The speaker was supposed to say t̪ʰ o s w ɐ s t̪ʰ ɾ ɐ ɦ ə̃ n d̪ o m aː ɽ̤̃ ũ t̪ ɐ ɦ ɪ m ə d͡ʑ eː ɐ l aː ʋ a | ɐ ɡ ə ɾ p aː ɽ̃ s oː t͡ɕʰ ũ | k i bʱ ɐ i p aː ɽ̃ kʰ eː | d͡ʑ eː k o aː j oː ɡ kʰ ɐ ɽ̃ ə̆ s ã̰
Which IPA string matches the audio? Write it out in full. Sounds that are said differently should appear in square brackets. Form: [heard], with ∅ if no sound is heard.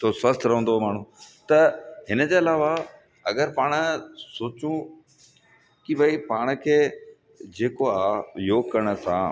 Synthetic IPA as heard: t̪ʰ o s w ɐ s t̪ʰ ɾ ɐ ɦ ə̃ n d̪ o m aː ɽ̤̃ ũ t̪ ɐ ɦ ɪ [n] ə d͡ʑ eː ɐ l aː ʋ a | ɐ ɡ ə ɾ p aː ɽ̃ s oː [t͡ɕ] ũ | k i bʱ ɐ i p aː ɽ̃ kʰ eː | d͡ʑ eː k o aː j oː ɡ [k] ɐ ɽ̃ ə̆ s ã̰